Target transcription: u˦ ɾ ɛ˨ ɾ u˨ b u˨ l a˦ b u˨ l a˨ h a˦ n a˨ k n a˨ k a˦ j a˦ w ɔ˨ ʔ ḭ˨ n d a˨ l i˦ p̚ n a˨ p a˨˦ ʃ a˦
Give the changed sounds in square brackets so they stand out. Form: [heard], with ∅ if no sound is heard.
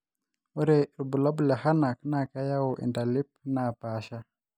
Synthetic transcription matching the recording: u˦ ɾ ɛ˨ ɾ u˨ b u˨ l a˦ b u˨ l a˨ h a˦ n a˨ k n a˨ k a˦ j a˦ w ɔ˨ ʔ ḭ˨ n d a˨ l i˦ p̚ n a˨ p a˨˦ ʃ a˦